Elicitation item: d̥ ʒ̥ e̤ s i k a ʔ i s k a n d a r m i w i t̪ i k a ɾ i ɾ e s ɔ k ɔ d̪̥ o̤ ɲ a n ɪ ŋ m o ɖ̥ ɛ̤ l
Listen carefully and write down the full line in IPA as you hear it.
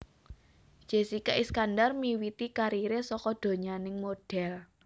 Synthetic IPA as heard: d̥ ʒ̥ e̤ s i k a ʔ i s k a n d a r m i w i t̪ i k a ɾ i ɾ e s ɔ k ɔ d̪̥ o̤ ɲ a n ɪ ŋ m o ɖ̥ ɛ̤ l